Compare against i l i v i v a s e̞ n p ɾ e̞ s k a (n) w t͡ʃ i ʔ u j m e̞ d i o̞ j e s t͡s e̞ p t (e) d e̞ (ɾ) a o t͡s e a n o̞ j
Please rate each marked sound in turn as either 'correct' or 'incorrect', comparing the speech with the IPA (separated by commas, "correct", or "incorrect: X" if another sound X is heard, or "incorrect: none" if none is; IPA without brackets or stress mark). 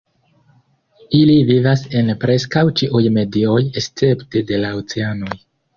incorrect: none, correct, incorrect: l